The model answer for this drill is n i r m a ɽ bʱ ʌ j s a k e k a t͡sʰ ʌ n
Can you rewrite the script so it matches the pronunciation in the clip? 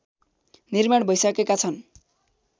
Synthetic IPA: n i r m a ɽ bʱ ʌ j s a k e k a t͡sʰ ʌ n